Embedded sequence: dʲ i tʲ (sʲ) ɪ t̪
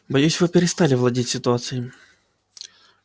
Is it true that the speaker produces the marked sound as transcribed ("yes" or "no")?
yes